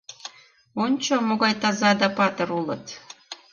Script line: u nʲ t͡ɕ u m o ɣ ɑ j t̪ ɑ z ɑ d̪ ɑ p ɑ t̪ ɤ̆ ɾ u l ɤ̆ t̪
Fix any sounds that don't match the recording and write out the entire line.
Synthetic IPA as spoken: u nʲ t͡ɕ o m o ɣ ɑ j t̪ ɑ z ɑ d̪ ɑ p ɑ t̪ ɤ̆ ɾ u l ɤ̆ t̪

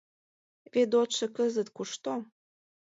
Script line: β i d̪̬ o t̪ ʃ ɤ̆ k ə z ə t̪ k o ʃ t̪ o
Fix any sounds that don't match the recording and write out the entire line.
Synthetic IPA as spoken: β e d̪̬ o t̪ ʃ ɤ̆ k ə z ə t̪ k u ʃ t̪ o

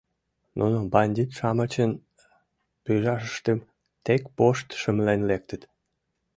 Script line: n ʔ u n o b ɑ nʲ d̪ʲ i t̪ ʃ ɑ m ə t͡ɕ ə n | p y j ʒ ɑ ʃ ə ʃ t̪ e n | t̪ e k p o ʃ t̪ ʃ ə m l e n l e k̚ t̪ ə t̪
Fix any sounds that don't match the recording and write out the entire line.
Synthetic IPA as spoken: n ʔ u n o b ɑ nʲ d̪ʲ i t̪ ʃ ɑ m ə t͡ɕ ə n | p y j ʒ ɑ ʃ ə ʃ t̪ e m | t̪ e k p o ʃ t̪ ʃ ə m l e n l e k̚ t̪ ə t̪

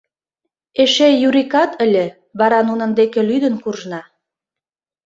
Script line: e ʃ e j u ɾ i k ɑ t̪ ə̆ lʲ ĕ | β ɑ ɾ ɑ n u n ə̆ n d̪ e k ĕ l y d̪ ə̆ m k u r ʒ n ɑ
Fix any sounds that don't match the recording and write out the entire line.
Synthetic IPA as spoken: e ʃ e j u ɾ i k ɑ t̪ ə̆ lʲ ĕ | β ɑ ɾ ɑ n u n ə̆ n d̪ e k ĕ l y d̪ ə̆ n k u r ʒ n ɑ

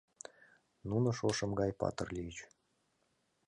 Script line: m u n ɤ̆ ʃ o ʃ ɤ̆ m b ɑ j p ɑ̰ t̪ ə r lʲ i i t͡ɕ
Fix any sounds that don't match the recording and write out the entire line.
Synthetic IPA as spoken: n u n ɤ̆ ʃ o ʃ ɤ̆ m ɡ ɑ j p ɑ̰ t̪ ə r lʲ i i t͡ɕ

